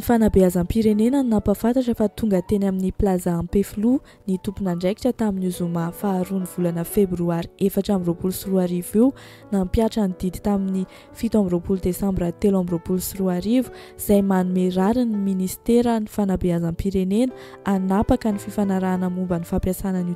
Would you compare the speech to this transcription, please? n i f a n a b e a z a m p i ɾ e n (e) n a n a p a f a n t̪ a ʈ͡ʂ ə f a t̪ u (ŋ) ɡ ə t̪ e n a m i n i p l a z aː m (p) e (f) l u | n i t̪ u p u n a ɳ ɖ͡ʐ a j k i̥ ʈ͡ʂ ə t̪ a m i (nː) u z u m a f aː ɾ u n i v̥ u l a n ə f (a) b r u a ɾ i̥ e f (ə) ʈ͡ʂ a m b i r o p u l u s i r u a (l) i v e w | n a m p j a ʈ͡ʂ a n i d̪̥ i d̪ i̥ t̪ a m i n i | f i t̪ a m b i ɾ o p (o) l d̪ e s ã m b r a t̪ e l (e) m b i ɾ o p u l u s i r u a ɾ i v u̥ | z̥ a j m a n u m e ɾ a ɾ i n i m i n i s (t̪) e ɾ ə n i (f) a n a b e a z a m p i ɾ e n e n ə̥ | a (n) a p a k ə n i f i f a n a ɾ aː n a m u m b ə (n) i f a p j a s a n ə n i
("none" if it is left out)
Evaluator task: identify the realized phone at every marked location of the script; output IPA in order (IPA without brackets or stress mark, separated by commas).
e, ŋ, p, f, n, e, a, ɾ, u, a, t̪, f, n, n